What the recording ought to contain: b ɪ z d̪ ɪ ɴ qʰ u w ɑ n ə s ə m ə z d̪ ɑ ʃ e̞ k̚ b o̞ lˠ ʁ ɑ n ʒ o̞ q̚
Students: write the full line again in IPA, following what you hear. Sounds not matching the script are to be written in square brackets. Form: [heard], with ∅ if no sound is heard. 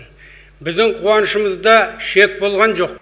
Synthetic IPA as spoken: b ɪ z d̪ ɪ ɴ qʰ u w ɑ n ə [ʃ] ə m ə z d̪ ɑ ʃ e̞ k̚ b o̞ lˠ ʁ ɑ n ʒ o̞ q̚